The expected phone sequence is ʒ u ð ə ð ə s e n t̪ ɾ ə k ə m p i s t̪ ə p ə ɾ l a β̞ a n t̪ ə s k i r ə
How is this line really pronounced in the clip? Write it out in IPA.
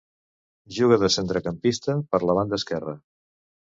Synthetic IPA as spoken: ʒ u ɣ ə ð ə s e n t̪ ɾ ə k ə m p i s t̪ ə p ə ɾ l ə β̞ a n d̪ ə s k ɛ r ə